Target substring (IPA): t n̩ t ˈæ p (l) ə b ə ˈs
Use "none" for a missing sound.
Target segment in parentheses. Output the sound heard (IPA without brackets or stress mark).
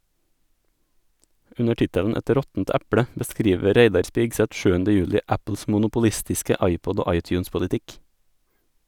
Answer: ɽ